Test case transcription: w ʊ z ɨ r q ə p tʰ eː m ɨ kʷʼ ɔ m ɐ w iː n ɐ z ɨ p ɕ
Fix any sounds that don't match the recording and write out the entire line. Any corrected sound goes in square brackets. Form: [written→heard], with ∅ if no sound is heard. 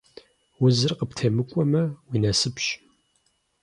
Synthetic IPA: w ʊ z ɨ r q ə p tʰ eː m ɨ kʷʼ ɔ m ɐ w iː n ɐ [z→s] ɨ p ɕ